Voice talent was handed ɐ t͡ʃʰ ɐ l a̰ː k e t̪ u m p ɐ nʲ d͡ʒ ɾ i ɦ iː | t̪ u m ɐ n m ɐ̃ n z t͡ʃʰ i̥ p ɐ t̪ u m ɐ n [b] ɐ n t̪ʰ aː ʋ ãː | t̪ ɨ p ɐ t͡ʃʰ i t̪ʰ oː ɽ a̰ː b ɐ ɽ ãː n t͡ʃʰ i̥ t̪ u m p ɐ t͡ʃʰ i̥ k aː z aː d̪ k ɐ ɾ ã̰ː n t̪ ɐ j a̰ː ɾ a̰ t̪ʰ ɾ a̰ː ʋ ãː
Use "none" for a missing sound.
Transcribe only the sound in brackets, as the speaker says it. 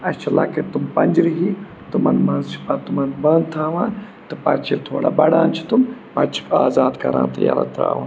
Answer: b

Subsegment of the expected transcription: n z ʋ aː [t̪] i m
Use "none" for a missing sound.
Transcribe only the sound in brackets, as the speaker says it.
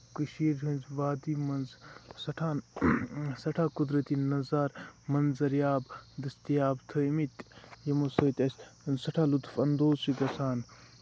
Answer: d̪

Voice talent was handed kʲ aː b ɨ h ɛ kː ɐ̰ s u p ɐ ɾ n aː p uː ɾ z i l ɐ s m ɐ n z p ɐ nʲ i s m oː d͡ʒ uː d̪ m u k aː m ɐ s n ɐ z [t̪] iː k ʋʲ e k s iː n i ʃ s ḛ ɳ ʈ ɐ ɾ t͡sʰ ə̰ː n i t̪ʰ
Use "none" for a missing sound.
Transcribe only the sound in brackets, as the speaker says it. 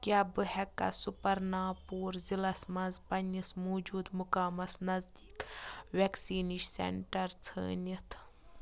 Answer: d̪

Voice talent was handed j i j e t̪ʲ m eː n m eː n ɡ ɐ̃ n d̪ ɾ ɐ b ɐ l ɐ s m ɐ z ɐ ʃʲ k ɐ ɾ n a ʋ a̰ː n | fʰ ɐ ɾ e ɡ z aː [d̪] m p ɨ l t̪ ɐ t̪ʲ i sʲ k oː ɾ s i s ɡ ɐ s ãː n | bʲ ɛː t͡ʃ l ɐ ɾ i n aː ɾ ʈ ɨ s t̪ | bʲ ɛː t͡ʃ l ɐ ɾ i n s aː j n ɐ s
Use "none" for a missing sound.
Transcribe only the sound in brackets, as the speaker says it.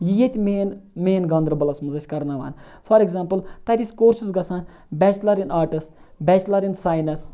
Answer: none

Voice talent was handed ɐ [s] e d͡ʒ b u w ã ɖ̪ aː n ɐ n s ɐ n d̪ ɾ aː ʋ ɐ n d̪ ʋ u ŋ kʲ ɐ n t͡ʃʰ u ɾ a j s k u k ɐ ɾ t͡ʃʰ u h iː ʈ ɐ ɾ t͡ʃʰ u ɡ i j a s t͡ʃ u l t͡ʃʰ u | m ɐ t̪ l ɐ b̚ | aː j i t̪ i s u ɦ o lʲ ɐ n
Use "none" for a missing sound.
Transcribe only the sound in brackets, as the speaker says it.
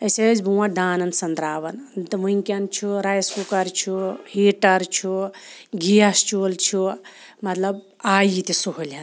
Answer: s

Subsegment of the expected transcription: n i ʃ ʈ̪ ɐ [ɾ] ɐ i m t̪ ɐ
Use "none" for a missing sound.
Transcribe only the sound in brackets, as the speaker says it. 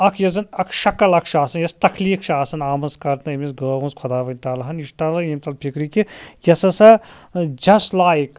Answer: l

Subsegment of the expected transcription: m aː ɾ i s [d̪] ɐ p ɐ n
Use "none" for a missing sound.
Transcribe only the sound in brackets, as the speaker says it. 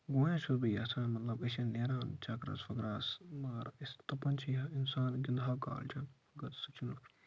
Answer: t̪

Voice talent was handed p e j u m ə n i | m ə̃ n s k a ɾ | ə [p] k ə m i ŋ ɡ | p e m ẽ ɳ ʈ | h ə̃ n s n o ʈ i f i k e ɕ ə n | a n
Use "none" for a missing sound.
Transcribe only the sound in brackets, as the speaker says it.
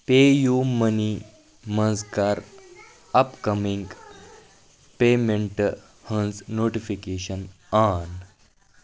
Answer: p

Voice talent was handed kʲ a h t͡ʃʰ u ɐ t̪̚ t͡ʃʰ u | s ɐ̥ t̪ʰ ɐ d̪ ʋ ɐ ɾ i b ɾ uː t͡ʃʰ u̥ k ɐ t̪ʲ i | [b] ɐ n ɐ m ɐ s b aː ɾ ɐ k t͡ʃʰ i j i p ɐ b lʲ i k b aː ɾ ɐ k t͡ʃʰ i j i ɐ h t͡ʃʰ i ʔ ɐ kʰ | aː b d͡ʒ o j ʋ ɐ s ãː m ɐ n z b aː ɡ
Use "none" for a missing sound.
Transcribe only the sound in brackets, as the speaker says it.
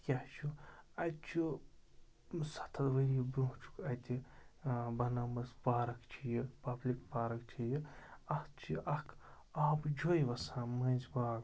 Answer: b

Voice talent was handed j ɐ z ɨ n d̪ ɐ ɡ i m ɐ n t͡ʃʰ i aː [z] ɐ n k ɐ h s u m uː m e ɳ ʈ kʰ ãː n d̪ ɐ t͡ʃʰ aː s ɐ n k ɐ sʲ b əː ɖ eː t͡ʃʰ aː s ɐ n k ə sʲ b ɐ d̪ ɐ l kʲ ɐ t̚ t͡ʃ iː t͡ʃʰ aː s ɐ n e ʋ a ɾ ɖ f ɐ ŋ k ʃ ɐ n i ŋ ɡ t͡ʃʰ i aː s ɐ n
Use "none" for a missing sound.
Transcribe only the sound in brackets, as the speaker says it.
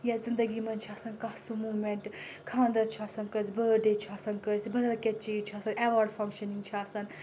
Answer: s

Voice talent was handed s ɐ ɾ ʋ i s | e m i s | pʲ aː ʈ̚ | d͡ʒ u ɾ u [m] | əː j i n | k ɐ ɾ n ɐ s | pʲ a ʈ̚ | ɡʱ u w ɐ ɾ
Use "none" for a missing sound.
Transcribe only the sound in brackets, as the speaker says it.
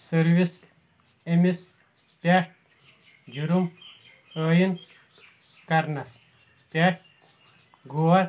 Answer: m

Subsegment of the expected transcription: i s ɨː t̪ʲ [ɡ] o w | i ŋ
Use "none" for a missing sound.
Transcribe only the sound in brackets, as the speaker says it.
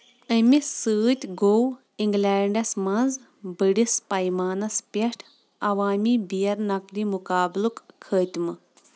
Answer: ɡ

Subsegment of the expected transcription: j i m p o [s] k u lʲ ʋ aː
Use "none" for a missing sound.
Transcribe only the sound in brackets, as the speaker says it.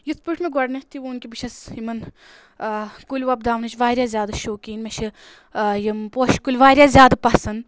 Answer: ʃ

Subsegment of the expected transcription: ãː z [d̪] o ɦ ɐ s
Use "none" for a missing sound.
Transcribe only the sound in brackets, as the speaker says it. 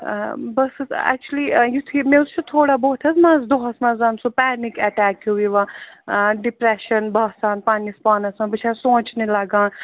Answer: d̪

